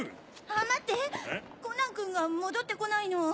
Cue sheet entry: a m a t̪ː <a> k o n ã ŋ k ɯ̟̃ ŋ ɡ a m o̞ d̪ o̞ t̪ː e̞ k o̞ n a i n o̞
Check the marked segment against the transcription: incorrect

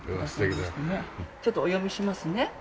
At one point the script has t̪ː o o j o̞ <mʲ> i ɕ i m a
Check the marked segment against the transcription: correct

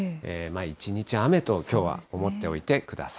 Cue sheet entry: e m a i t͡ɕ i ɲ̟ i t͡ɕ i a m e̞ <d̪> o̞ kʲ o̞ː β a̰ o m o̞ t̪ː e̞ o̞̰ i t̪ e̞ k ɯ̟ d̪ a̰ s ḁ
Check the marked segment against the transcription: incorrect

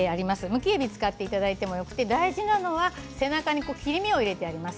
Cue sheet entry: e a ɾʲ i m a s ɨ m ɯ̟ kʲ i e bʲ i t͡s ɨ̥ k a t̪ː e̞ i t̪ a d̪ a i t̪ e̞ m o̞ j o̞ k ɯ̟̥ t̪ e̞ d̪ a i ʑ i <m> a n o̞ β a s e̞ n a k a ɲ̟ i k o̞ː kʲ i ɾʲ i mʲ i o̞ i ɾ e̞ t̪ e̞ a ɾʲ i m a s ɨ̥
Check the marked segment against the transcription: incorrect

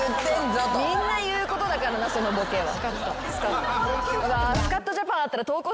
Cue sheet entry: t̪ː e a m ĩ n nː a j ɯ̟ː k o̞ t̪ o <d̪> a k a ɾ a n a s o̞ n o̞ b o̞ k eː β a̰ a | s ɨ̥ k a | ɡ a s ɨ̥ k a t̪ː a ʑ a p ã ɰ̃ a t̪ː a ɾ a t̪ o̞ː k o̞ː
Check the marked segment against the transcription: correct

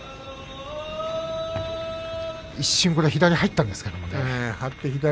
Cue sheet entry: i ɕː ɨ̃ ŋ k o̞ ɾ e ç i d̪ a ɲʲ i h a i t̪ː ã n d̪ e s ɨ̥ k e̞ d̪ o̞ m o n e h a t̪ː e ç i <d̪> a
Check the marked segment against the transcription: correct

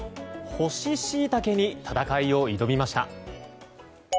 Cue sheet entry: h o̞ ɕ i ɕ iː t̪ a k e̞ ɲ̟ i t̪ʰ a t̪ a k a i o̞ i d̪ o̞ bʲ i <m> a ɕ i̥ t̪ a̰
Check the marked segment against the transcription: correct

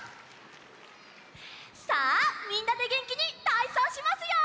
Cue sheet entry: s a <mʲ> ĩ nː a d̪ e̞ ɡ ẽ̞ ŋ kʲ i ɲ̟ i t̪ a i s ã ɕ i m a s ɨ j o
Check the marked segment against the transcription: correct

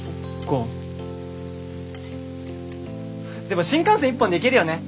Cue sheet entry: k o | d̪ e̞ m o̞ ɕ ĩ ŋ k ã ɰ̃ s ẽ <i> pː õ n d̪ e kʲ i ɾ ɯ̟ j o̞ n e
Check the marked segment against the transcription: correct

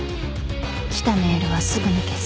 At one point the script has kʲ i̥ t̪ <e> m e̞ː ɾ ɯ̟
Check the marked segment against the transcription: incorrect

